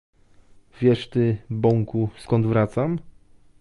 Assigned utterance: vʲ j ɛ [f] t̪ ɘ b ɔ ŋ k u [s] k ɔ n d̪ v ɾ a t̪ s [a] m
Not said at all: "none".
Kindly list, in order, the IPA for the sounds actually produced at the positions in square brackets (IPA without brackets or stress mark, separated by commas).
ʂ, s, a